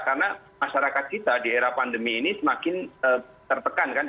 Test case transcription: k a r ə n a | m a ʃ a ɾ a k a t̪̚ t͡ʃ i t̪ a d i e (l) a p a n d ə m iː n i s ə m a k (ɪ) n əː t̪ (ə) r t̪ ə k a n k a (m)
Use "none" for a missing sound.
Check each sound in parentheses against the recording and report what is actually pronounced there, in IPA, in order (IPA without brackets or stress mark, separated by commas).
ɾ, ɪ, ə, n